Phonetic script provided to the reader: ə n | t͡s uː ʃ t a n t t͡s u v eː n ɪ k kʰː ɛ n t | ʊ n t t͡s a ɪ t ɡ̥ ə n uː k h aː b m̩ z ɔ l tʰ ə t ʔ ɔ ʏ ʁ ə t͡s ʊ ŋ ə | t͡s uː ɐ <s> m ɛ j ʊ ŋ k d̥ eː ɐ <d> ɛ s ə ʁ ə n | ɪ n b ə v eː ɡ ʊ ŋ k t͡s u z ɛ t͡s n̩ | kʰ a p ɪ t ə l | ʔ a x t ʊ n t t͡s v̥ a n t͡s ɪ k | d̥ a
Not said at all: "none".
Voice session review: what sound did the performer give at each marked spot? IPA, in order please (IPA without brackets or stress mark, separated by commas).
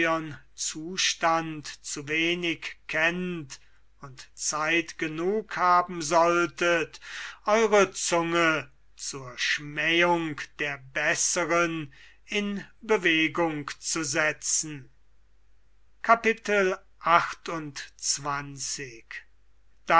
ʃ, b